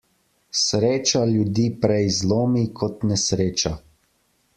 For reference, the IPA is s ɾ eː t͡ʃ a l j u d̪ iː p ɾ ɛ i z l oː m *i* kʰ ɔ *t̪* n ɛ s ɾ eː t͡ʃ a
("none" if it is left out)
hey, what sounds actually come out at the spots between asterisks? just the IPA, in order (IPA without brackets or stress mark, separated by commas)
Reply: i, t̪